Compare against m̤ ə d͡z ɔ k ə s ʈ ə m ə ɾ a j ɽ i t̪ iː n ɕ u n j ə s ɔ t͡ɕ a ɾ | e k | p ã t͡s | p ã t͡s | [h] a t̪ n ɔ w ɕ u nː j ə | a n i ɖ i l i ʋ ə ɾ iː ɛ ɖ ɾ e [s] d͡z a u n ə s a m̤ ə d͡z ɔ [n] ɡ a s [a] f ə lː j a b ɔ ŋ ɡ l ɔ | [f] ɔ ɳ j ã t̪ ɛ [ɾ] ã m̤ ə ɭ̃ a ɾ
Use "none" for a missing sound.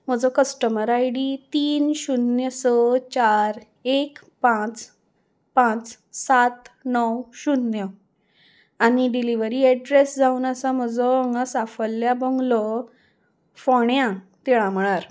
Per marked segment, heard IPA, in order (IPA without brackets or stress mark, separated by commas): s, s, ŋ, a, f, ɭ